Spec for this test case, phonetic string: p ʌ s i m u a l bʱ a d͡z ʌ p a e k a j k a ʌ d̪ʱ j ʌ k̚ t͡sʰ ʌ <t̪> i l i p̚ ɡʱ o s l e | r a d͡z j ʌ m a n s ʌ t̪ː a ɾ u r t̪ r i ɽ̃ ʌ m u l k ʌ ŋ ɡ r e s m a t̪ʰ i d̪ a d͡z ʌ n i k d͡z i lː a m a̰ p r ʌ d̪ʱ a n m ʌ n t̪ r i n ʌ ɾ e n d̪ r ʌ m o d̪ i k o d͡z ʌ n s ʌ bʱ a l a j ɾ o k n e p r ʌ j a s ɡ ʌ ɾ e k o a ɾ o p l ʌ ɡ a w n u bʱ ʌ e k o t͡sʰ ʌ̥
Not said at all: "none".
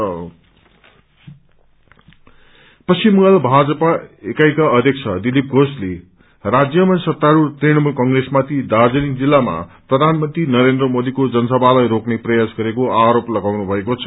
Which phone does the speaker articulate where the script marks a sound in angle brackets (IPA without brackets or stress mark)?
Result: d̪